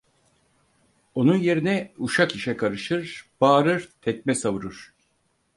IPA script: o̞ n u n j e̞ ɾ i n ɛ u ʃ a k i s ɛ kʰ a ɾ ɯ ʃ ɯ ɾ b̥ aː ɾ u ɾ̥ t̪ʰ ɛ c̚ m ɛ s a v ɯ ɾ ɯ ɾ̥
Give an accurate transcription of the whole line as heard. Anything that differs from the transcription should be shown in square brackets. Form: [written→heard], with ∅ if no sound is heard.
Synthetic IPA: o̞ n u n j e̞ ɾ i n ɛ u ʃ a k i [s→ʃ] ɛ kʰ a ɾ ɯ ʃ ɯ ɾ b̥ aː ɾ [u→ɯ] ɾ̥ t̪ʰ ɛ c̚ m ɛ s a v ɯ ɾ ɯ ɾ̥